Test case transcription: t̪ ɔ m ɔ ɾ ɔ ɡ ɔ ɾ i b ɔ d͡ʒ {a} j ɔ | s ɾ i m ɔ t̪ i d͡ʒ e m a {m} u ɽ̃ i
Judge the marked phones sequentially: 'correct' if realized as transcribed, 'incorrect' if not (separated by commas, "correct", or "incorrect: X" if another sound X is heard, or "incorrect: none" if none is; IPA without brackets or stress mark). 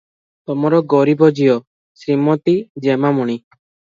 incorrect: i, correct